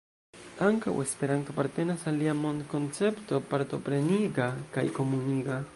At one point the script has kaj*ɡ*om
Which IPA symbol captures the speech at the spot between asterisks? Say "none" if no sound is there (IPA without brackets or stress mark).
k